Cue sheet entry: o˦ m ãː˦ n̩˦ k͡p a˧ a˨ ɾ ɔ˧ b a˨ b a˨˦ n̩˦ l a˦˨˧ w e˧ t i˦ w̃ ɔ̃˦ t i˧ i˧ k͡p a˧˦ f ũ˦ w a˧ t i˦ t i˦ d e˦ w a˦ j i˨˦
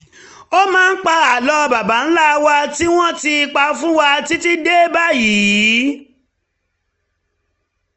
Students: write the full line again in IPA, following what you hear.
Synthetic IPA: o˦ m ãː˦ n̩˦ k͡p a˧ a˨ l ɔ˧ b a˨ b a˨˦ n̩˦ l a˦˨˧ w a˧ t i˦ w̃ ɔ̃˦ t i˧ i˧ k͡p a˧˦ f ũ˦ w a˧ t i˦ t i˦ d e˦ b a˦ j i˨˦